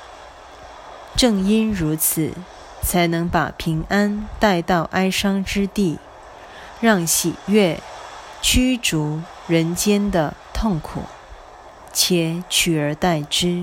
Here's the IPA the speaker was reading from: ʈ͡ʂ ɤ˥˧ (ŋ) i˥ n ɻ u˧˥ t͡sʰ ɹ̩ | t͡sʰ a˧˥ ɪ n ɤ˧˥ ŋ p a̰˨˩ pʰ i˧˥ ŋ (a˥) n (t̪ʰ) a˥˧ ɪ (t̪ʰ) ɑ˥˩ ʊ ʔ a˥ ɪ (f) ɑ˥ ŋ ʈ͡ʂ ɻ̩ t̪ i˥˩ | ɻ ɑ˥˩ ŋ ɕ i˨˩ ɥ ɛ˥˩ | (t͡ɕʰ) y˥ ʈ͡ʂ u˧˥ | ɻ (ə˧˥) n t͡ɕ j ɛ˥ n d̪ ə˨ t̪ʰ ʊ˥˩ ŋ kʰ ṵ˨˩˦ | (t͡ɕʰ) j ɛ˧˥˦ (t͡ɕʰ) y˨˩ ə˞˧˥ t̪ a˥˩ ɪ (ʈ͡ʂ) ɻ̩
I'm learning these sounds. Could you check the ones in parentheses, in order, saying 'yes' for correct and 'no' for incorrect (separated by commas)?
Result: yes, yes, no, no, no, yes, yes, yes, yes, yes